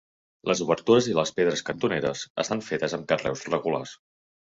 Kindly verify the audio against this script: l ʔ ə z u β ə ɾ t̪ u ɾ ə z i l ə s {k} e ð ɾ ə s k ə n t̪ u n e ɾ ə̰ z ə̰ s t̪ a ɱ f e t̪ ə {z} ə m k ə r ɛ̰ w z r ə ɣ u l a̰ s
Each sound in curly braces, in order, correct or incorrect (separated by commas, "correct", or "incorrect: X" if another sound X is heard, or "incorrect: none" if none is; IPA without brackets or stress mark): incorrect: p, correct